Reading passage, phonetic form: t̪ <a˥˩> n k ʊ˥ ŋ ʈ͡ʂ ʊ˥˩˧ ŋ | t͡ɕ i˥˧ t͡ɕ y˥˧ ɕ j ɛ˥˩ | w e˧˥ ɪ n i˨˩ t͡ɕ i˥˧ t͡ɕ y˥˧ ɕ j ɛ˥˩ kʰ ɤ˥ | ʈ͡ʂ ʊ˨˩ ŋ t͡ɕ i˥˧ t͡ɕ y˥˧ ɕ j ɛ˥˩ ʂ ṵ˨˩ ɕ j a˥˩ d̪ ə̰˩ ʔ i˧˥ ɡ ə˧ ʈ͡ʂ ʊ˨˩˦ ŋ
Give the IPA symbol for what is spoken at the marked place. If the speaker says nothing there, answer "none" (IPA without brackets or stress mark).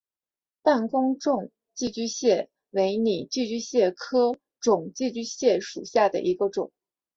a˥˩